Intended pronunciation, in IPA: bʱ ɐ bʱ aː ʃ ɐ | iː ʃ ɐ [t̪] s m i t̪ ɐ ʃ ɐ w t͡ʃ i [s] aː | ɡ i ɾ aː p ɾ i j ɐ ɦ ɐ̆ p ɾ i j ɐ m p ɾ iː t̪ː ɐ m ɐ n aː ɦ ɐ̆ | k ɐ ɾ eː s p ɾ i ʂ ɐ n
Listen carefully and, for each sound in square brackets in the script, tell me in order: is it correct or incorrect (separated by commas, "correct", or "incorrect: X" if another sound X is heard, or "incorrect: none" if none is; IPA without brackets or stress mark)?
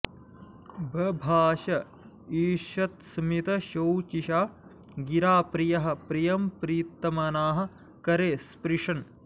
correct, incorrect: ʃ